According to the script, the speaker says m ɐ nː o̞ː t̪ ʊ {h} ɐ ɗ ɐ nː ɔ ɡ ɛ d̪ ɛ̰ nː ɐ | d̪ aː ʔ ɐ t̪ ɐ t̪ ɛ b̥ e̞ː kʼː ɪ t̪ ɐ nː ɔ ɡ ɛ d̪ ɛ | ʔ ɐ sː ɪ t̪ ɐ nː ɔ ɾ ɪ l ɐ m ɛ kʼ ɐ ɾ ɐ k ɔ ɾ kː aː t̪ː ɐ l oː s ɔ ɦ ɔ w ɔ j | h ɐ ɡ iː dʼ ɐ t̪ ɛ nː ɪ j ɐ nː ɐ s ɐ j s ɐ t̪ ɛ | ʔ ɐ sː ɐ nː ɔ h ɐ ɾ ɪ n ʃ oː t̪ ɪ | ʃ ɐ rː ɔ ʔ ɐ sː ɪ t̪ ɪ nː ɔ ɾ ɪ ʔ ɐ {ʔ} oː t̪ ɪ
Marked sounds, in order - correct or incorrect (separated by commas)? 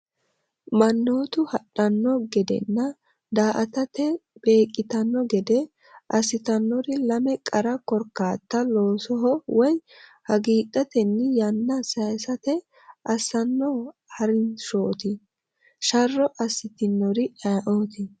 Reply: correct, correct